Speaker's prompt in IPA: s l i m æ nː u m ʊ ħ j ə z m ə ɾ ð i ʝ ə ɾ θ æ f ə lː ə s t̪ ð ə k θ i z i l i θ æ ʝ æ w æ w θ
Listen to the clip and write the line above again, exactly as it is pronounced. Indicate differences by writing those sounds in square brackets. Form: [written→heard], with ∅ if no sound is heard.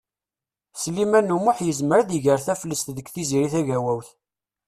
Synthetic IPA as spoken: s l i m æ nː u m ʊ ħ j ə z m ə ɾ ð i ʝ ə ɾ θ æ f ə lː ə s t̪ ð ə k θ i z i [l→ɾ] i θ æ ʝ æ w æ w θ